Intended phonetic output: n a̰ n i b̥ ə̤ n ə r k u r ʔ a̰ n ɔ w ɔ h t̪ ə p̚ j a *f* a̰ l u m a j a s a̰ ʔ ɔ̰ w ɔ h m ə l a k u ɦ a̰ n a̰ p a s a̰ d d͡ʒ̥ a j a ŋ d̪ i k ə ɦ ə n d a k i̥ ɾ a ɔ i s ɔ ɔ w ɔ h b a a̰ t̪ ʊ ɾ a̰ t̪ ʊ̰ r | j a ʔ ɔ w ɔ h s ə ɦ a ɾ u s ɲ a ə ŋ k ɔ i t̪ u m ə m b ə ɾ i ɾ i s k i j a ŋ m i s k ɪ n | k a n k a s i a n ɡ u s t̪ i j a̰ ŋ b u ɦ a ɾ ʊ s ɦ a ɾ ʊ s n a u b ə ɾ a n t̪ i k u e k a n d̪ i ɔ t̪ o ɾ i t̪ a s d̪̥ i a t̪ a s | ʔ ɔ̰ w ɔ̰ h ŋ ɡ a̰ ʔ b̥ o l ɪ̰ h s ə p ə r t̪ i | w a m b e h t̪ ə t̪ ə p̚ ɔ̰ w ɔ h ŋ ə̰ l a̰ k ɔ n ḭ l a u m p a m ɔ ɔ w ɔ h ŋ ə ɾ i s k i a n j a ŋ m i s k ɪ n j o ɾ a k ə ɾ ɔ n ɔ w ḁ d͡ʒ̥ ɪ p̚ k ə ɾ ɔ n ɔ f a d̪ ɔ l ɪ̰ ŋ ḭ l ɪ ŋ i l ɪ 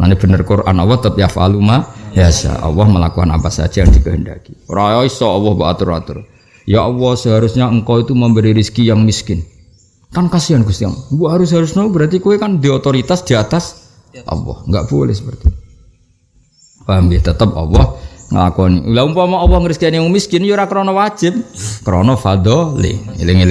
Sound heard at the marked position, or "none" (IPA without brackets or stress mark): f